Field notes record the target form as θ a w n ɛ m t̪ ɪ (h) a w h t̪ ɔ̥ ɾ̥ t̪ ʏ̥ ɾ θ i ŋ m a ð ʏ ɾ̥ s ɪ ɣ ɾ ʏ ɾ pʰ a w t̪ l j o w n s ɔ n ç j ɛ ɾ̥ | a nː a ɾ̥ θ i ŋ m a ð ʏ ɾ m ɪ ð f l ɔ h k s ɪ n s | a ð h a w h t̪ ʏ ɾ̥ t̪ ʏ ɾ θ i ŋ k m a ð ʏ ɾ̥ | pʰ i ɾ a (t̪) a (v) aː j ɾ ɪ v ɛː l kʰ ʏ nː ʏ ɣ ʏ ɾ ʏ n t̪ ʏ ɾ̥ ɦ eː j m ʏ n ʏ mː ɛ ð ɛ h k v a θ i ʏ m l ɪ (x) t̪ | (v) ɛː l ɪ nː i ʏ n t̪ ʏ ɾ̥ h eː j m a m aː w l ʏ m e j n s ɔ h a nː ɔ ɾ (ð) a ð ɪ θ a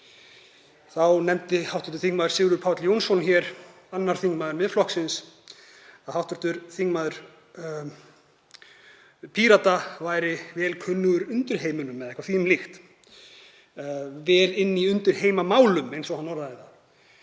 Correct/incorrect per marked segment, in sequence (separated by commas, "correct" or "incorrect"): correct, correct, correct, correct, correct, correct